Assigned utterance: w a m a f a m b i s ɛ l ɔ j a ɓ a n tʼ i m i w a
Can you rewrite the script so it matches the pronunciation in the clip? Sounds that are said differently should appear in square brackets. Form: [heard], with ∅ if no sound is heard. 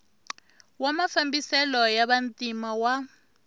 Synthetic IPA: w a m a f a m b i s ɛ l ɔ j a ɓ a n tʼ i m [a] w a